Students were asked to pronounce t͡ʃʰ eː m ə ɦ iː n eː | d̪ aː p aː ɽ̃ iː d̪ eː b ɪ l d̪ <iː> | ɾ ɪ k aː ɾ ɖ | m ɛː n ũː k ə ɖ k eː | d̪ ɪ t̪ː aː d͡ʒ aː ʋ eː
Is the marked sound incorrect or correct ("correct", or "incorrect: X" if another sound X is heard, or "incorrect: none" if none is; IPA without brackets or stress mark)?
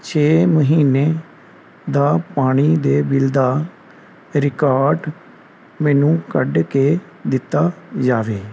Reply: incorrect: aː